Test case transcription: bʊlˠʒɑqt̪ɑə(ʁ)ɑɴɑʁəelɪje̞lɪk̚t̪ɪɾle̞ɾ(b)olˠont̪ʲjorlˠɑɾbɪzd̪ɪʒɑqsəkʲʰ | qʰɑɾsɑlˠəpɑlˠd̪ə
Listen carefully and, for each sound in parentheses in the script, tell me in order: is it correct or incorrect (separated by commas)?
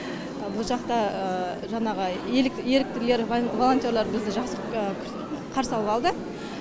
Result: incorrect, incorrect